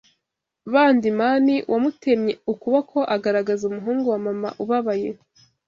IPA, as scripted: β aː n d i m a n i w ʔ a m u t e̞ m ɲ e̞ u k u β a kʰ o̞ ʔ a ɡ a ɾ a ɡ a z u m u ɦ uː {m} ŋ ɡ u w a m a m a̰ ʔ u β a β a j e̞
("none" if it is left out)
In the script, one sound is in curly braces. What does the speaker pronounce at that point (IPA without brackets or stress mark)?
none